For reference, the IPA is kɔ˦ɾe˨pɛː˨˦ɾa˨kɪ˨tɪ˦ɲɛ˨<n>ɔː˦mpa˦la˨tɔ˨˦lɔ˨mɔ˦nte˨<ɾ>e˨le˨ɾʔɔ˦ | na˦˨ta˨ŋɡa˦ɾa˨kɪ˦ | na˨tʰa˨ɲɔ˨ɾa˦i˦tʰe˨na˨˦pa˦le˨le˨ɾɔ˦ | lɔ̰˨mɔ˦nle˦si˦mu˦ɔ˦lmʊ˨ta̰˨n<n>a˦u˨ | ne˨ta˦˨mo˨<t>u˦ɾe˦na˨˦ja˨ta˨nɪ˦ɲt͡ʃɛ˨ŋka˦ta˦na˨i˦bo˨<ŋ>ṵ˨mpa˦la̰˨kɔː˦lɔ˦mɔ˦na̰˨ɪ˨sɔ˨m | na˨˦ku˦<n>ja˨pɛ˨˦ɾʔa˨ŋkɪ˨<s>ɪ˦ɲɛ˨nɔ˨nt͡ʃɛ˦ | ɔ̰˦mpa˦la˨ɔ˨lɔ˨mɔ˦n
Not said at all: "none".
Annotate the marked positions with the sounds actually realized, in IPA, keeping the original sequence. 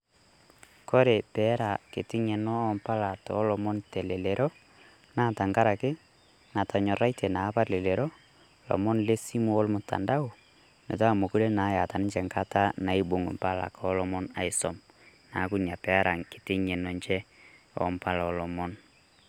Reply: n, l, d, k, ŋ, n, t

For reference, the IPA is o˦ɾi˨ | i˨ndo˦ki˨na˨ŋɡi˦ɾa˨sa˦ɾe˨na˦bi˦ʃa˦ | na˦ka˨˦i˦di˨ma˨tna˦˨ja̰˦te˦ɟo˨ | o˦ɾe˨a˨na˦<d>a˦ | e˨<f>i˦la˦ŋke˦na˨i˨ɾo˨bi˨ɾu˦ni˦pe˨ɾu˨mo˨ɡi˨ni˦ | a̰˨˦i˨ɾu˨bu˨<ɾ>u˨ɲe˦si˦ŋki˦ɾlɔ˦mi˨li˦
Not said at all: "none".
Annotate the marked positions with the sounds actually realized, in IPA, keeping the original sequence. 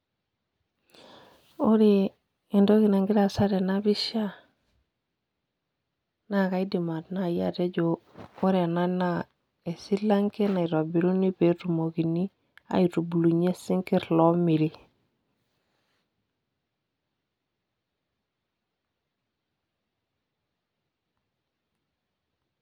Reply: n, s, l

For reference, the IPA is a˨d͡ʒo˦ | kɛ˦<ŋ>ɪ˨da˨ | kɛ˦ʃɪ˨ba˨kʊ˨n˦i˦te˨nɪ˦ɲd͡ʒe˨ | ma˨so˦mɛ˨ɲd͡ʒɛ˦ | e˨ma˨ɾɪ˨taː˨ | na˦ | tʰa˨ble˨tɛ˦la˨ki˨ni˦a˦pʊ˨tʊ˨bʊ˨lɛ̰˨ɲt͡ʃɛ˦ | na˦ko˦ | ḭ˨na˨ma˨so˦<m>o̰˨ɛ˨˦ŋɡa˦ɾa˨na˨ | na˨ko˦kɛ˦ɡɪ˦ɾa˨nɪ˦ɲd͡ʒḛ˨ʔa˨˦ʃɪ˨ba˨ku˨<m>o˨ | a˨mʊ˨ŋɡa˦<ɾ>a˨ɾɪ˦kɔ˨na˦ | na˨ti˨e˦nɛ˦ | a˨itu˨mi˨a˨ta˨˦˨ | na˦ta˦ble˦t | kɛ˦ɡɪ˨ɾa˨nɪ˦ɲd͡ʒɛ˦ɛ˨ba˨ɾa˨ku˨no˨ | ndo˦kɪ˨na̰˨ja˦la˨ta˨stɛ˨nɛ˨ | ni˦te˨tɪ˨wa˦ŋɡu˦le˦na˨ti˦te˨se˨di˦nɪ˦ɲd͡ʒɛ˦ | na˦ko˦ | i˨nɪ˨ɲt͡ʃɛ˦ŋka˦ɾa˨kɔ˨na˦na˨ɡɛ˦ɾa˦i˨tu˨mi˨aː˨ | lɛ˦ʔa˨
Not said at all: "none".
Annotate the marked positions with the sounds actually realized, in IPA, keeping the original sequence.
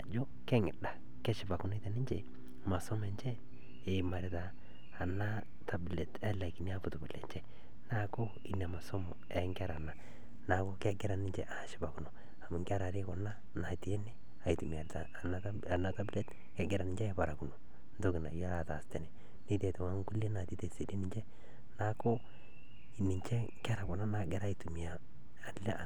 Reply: ŋ, m, n, ɾ

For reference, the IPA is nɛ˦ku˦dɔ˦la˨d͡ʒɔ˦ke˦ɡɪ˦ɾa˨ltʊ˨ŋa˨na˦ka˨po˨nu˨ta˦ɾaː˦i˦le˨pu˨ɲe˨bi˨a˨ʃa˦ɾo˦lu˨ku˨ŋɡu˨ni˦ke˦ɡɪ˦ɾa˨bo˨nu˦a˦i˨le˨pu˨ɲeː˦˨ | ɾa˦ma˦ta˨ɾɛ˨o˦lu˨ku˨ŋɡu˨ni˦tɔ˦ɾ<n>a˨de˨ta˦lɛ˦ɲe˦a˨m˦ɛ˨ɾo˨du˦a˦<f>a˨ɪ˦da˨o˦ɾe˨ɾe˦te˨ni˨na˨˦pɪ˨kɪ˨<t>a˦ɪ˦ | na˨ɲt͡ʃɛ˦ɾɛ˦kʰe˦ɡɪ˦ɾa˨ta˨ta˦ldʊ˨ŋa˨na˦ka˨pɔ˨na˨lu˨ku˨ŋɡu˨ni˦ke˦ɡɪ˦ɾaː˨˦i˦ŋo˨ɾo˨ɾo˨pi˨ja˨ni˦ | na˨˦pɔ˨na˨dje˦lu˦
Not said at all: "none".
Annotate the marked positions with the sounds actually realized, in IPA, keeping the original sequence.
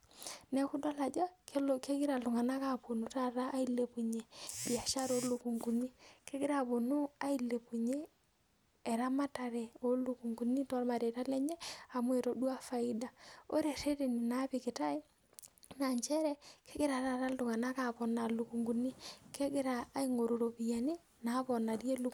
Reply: m, f, t

